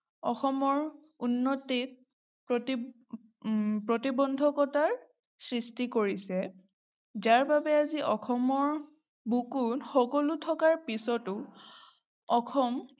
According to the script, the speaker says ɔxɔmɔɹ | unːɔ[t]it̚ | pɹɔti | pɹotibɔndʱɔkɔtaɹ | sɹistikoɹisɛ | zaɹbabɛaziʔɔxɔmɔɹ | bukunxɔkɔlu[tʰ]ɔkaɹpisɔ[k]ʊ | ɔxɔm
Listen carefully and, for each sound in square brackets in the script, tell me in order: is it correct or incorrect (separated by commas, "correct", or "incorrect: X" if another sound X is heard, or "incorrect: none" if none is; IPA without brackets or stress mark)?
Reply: correct, correct, incorrect: t